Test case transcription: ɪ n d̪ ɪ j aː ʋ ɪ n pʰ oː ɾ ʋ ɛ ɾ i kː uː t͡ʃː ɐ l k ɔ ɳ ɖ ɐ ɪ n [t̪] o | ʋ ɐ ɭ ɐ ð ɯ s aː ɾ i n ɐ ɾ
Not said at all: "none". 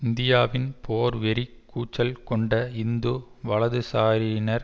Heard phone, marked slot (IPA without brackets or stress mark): d̪